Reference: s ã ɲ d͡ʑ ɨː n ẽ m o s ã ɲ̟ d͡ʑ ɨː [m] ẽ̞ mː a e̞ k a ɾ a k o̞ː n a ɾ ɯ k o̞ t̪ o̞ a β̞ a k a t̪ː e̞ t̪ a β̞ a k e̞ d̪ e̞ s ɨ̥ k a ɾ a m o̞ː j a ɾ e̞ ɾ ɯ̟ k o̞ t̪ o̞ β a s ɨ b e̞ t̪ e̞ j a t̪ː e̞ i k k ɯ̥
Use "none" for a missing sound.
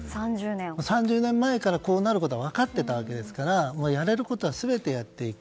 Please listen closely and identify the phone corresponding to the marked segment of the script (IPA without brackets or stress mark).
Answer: n